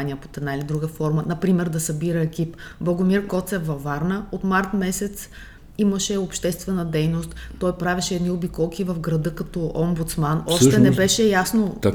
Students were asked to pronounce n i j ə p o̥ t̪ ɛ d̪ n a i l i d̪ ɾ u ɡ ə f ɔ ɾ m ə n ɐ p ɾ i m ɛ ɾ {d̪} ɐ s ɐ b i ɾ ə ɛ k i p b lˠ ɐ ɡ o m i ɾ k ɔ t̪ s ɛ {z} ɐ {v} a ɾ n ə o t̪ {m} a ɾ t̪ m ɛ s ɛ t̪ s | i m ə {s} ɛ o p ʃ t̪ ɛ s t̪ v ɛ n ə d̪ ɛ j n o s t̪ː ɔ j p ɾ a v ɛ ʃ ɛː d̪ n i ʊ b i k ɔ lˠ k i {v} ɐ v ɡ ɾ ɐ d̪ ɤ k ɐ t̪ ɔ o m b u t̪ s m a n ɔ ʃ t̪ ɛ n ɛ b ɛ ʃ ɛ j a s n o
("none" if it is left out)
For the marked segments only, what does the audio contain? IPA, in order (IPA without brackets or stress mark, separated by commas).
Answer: d̪, v, v, m, ʃ, v